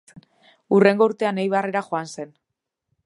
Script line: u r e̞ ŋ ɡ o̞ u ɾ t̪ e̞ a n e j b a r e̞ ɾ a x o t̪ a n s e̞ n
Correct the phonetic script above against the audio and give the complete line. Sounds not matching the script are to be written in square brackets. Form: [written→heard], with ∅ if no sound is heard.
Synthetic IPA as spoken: u r e̞ ŋ ɡ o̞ u ɾ t̪ e̞ a n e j [b→β] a r e̞ ɾ a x o [t̪→∅] a n s e̞ n